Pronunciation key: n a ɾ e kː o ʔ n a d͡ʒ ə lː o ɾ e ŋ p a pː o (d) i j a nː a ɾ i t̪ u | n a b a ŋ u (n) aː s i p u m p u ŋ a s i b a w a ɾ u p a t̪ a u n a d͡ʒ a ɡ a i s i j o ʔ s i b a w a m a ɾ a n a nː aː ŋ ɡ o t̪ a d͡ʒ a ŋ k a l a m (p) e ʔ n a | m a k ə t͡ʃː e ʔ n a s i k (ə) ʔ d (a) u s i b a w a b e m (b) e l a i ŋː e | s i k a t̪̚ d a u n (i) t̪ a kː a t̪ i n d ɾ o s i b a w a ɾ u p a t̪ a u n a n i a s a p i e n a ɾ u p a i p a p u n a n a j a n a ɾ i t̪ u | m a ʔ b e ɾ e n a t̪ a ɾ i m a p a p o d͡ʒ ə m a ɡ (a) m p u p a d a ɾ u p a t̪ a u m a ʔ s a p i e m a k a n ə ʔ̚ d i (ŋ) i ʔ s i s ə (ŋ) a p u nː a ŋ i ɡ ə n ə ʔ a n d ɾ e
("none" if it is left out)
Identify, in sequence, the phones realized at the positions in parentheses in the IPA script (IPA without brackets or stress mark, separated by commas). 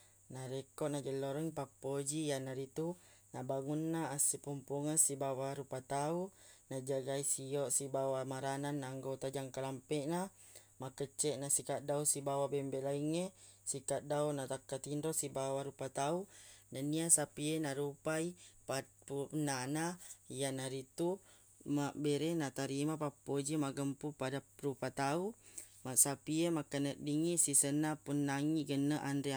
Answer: d͡ʒ, nː, p, a, a, b, a, ə, ŋ, n